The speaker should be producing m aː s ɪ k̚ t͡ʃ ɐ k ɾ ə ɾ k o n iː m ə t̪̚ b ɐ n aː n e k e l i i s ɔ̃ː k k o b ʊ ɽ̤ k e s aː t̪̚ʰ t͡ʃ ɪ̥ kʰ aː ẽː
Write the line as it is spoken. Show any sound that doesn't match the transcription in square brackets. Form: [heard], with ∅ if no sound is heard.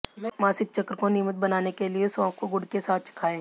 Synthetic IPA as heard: m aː s ɪ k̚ t͡ʃ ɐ k ɾ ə [∅] k o n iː m ə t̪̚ b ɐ n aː n e k e l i [e] s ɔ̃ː k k o [ɡ] ʊ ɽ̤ k e s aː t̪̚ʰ t͡ʃ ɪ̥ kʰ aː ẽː